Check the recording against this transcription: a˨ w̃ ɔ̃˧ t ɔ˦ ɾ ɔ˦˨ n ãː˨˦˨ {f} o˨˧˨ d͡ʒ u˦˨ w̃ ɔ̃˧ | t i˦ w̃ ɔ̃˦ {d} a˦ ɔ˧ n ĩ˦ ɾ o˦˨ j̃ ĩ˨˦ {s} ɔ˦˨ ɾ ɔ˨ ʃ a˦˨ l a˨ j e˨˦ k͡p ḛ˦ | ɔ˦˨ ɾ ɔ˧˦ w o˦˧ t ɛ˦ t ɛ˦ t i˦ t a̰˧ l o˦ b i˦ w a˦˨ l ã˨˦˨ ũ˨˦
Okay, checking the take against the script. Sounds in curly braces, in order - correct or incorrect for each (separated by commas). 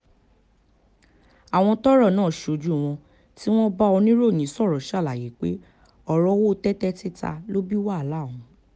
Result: incorrect, incorrect, correct